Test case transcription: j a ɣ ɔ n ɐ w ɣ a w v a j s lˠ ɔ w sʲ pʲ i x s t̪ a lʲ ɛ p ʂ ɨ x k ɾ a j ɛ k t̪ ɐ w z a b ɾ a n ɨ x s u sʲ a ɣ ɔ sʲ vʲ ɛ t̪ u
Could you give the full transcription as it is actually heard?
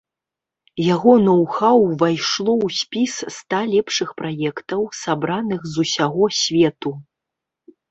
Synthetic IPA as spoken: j a ɣ ɔ n ɐ w x a w v a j ʂ lˠ ɔ w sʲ pʲ i s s t̪ a lʲ ɛ p ʂ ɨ x p ɾ a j ɛ k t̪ ɐ w s a b ɾ a n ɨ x z u sʲ a ɣ ɔ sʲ vʲ ɛ t̪ u